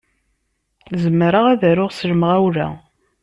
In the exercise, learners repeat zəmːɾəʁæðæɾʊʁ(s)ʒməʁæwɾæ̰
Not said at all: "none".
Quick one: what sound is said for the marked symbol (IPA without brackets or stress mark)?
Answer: s